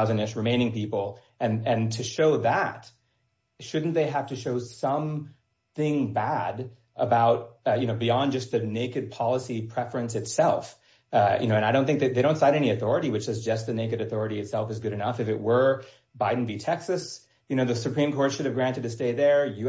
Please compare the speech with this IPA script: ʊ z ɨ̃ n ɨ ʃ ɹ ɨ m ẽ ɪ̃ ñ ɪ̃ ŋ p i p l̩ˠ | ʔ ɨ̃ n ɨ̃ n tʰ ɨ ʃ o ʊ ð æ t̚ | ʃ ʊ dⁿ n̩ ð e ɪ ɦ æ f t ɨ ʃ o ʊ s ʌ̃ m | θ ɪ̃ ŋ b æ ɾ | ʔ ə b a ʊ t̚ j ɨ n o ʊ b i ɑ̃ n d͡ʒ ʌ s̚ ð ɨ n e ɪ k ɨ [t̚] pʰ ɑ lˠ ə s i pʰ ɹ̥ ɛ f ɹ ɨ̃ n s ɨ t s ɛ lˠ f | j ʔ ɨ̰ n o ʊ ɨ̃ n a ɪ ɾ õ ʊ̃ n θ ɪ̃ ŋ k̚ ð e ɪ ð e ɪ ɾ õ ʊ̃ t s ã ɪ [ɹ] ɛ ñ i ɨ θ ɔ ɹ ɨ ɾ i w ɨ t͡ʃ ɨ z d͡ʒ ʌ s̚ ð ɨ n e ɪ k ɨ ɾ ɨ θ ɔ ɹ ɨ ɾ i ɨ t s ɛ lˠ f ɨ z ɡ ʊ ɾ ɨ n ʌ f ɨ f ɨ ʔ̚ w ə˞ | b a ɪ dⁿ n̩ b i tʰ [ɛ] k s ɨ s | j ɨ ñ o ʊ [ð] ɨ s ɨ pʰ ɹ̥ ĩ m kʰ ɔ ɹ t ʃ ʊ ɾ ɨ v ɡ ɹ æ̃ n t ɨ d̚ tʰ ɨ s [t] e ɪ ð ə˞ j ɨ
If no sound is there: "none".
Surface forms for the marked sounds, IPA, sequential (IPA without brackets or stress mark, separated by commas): d̚, ɾ, ɛ, ð, t